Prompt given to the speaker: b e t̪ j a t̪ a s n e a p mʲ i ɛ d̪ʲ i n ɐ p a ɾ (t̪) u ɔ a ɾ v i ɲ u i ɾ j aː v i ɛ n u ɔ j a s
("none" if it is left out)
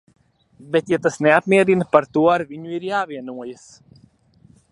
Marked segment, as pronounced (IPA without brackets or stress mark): t̪